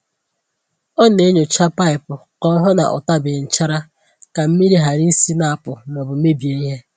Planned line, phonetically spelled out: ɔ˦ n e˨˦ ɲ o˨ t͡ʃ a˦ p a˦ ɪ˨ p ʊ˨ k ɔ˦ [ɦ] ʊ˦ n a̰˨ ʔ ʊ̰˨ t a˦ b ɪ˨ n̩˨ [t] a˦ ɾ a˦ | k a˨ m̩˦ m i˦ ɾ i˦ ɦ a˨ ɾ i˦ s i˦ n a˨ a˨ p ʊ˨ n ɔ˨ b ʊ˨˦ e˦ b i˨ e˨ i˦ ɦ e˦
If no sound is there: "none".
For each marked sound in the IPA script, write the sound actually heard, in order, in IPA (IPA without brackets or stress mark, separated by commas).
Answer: ɦ, t͡ʃ